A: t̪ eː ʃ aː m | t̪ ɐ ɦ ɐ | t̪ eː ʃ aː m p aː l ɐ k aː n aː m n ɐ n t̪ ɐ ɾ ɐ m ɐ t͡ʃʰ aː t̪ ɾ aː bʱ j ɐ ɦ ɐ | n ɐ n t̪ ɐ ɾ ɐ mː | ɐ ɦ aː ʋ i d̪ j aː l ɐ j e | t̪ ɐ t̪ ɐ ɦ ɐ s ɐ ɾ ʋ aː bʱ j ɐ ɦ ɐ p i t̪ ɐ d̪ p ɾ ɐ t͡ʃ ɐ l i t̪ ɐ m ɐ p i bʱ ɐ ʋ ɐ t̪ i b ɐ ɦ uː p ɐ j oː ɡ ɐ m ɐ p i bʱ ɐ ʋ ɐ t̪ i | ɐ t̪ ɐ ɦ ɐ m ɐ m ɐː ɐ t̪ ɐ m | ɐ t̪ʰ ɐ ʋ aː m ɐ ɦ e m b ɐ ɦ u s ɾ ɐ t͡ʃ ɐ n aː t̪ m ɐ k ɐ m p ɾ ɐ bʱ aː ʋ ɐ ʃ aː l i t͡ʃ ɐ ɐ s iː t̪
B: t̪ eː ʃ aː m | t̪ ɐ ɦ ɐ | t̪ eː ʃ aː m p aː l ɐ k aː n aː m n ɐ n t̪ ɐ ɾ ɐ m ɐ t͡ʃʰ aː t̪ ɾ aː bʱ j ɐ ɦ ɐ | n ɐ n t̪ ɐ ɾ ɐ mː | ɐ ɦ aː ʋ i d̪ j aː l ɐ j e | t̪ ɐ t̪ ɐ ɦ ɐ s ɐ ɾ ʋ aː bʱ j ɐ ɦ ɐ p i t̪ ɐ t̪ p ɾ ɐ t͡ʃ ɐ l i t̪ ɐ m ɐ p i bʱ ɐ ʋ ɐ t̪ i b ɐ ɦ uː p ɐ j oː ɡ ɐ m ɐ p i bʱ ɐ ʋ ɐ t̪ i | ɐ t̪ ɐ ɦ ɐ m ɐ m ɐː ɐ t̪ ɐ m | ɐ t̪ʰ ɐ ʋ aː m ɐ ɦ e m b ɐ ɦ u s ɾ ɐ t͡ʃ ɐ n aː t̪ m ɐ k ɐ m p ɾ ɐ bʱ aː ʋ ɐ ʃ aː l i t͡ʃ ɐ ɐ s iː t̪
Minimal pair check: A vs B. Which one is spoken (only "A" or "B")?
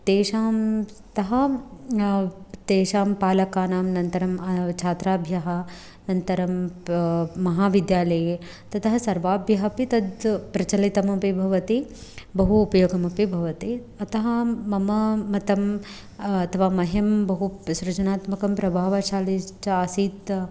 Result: A